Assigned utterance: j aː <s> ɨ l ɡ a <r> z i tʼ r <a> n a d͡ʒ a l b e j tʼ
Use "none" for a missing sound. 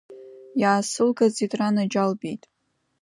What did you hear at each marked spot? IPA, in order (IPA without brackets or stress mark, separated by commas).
s, none, a